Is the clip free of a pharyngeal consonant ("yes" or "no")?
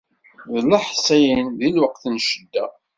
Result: no